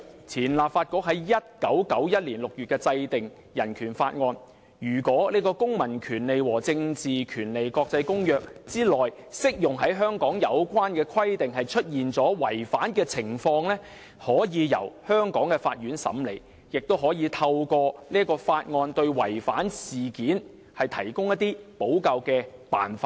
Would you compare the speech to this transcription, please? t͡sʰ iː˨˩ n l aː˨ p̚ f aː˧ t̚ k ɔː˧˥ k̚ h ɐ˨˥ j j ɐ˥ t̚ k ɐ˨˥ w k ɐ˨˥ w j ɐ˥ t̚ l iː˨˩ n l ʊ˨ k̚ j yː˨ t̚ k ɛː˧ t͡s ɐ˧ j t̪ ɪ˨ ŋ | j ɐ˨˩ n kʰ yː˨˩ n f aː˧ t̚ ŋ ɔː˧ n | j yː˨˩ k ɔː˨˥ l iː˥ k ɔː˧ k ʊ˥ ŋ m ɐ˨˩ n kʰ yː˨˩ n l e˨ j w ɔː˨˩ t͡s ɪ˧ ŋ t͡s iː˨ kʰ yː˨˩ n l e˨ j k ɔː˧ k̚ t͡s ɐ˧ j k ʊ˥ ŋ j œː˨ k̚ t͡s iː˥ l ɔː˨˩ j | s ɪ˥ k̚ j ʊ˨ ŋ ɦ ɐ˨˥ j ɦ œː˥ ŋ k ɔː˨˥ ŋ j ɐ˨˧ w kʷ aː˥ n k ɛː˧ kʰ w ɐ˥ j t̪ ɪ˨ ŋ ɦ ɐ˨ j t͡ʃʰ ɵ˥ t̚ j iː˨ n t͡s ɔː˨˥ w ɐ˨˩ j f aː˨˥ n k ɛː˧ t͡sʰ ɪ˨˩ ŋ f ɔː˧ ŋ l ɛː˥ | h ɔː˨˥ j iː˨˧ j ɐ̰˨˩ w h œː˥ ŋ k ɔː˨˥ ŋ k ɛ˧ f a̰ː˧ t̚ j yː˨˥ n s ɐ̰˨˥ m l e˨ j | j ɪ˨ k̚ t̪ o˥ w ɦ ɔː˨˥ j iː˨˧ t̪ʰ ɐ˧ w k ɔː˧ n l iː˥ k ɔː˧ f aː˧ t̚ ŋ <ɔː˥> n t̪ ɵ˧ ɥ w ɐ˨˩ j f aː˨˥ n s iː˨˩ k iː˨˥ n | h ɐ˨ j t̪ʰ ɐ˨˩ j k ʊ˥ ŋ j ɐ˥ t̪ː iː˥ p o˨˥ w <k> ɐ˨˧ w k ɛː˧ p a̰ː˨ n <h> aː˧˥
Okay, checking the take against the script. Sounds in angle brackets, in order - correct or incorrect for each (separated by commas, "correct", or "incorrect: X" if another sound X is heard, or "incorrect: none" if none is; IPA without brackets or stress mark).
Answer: incorrect: ɔː˧, correct, incorrect: f